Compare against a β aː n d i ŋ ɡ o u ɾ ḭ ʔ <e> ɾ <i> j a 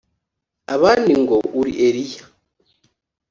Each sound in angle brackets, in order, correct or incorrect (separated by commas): correct, correct